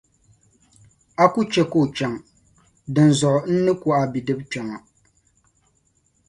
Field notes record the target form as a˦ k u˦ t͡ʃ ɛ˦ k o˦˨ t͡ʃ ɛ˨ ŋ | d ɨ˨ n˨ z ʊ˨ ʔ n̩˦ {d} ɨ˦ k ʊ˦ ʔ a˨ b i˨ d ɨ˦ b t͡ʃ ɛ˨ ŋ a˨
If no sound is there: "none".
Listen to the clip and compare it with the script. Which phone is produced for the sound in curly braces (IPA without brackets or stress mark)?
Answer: n